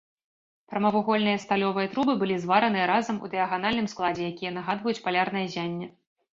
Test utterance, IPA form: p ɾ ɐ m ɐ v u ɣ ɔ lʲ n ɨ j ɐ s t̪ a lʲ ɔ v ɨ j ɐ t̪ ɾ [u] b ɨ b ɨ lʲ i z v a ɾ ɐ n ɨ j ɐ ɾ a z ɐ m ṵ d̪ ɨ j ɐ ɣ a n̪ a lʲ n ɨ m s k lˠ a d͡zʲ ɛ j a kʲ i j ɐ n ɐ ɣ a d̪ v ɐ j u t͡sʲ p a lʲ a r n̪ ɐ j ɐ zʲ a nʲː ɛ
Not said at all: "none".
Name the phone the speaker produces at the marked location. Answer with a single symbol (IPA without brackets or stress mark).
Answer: u